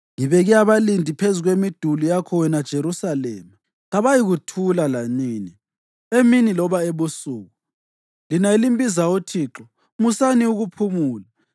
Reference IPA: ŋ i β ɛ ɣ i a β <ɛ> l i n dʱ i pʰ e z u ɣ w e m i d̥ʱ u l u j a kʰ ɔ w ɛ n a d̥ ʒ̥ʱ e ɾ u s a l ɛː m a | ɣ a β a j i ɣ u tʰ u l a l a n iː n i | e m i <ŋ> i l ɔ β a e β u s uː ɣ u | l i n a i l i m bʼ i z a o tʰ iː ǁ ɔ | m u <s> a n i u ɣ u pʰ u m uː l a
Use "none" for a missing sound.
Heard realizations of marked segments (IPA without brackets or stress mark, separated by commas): a, n, s